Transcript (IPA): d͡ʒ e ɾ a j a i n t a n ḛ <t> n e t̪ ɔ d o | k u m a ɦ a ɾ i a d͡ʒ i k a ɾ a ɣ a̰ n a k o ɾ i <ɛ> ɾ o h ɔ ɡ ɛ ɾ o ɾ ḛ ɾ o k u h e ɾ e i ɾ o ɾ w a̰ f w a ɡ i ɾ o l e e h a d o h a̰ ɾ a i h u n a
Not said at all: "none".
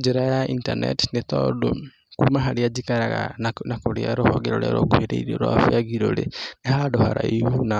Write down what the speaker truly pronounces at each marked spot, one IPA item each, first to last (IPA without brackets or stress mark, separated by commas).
t, a